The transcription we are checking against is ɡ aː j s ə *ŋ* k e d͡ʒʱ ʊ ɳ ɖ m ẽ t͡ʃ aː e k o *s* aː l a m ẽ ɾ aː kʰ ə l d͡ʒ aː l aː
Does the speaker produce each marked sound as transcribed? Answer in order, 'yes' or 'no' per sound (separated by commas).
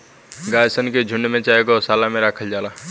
no, yes